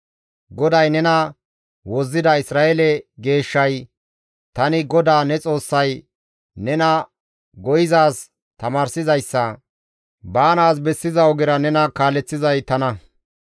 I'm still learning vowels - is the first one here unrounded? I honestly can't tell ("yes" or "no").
no